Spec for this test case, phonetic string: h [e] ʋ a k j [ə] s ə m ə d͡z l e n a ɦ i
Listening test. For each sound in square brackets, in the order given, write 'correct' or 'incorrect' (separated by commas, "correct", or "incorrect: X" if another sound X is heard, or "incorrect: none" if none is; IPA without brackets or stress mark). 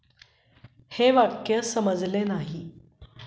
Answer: correct, correct